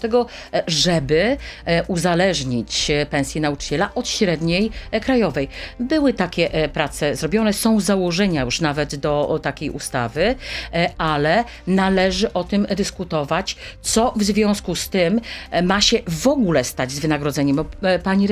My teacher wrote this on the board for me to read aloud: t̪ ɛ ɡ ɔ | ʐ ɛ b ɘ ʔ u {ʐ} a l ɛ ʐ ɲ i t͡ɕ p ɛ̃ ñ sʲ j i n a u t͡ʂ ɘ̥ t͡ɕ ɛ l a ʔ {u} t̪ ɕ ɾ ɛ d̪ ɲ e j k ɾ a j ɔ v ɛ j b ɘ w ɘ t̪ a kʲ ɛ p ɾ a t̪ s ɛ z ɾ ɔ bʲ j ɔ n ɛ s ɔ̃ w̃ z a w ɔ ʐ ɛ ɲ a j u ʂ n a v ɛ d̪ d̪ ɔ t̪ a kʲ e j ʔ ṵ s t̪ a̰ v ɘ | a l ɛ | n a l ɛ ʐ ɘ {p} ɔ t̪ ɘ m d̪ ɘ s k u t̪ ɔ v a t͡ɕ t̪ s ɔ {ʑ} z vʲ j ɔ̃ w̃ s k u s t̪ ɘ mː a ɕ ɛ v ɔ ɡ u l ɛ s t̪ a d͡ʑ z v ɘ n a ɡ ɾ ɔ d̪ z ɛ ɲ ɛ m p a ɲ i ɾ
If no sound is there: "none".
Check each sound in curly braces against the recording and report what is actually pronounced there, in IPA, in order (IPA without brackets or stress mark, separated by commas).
z, ɔ, ʔ, v